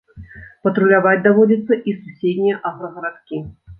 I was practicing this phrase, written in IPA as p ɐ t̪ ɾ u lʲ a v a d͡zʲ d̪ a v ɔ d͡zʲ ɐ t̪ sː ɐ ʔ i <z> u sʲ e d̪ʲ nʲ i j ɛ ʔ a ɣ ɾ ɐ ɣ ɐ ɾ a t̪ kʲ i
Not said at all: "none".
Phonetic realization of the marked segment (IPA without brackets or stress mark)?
s